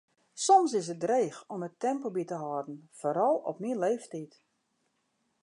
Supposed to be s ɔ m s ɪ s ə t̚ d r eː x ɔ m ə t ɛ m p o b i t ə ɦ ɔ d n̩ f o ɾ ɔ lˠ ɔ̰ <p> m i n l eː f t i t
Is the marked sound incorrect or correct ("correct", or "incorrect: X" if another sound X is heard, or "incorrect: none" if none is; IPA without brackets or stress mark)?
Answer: correct